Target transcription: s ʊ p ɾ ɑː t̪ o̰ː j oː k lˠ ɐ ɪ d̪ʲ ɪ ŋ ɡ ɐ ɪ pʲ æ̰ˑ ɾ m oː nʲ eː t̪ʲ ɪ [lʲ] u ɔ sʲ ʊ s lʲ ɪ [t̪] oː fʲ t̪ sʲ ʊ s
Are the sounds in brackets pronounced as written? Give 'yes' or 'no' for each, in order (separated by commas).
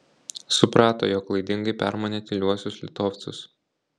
yes, yes